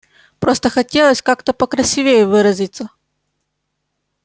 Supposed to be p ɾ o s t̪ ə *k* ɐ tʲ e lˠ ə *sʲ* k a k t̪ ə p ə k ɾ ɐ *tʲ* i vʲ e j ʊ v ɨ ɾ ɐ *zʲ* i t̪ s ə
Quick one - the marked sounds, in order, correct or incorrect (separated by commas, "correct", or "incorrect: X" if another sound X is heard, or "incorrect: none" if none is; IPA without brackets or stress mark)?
incorrect: x, correct, incorrect: sʲ, correct